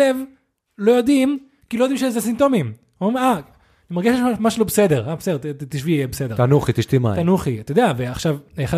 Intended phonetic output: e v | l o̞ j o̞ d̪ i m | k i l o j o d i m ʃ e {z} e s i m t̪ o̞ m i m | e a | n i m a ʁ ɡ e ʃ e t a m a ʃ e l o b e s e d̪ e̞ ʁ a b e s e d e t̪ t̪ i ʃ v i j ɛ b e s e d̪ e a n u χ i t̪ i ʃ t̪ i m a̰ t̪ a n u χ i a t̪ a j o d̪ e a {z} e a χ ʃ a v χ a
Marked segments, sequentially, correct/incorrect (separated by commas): correct, incorrect